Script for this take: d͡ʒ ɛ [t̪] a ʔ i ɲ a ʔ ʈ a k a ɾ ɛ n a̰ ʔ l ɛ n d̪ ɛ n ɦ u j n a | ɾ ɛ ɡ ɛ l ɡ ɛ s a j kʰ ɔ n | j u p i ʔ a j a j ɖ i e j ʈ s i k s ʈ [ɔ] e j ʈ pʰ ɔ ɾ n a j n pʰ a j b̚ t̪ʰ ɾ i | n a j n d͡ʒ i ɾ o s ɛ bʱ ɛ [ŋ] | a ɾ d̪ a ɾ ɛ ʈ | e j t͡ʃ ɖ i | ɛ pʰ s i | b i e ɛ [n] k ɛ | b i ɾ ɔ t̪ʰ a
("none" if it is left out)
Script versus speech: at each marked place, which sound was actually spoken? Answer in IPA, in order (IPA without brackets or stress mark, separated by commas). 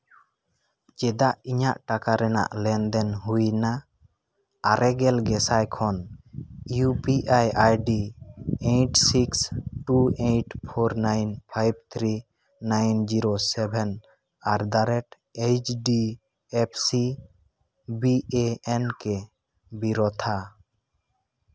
d̪, u, n, n